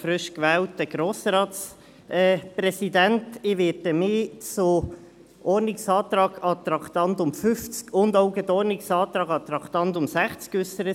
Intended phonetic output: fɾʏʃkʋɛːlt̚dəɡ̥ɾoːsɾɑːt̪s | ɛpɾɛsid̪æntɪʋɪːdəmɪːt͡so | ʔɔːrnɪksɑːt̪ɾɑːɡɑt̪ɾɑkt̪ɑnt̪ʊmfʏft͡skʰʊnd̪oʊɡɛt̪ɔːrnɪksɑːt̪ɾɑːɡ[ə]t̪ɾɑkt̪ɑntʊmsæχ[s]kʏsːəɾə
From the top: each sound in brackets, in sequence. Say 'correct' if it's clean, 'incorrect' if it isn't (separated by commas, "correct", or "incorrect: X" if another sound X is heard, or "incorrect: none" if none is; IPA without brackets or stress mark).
incorrect: ɑ, incorrect: t͡s